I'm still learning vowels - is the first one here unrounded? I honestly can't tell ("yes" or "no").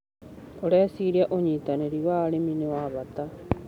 no